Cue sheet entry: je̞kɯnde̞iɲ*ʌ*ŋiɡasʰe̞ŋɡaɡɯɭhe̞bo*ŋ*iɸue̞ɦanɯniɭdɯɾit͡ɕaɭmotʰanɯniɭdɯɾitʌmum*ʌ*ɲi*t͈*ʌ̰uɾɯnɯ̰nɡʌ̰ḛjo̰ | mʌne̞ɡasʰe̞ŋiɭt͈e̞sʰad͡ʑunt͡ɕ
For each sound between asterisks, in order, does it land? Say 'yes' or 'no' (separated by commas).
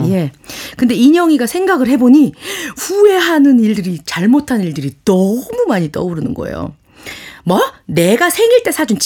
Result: yes, no, no, yes